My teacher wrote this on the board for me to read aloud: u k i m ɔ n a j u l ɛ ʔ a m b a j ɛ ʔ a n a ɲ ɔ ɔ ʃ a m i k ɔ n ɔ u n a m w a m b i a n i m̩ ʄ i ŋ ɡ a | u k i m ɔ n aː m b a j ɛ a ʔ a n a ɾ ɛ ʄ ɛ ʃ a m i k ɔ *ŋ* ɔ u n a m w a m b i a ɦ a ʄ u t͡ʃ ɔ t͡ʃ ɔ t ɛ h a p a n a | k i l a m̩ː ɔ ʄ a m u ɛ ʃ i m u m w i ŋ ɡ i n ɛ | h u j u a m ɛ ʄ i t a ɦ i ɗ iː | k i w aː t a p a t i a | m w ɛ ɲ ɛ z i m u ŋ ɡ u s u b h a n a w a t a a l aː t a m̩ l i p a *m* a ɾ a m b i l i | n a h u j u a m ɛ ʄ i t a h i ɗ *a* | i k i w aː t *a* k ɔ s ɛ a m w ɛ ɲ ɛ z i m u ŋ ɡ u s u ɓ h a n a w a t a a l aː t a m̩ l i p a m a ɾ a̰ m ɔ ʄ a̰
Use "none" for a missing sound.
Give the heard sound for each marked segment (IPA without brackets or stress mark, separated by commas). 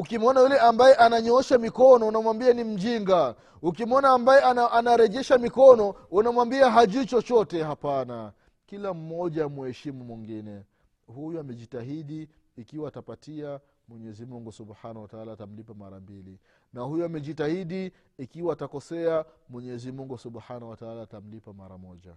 n, m, i, a